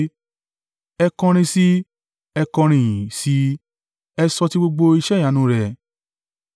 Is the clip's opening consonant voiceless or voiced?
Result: voiceless